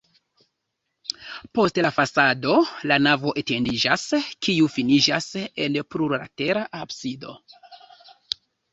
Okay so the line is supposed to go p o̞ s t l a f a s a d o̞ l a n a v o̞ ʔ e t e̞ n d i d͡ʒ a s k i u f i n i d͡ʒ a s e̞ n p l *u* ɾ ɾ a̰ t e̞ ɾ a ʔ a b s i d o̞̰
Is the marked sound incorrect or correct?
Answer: correct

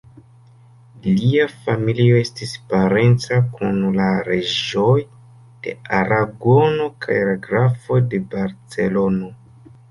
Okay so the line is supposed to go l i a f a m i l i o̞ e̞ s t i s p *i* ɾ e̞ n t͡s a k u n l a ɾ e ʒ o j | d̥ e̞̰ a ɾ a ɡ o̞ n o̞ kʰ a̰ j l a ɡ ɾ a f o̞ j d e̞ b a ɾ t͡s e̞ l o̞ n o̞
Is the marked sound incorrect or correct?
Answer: incorrect: a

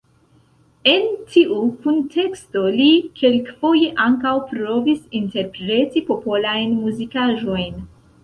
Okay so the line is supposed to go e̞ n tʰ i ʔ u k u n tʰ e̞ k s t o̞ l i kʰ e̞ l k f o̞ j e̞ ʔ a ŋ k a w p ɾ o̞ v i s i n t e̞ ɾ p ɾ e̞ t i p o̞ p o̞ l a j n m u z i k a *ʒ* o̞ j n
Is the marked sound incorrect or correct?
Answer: correct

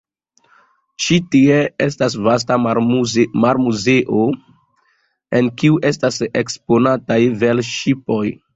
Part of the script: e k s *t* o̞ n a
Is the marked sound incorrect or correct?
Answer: incorrect: p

